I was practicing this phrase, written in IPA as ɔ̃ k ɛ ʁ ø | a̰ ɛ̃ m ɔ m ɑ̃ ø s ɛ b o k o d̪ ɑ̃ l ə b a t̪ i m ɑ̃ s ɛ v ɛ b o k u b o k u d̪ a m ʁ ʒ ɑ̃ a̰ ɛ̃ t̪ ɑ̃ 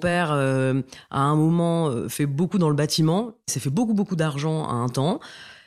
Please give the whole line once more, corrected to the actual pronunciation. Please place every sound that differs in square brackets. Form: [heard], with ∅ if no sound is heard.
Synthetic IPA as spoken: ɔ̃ [p] ɛ ʁ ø | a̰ ɛ̃ m ɔ m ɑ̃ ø [f] ɛ b o k [u] d̪ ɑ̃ l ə b a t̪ i m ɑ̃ s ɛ [f] ɛ b o k u b o k u d̪ a [∅] ʁ ʒ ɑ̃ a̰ ɛ̃ t̪ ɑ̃